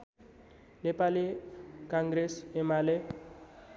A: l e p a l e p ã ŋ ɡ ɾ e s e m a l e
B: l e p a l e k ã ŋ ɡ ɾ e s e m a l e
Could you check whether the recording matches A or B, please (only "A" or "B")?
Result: B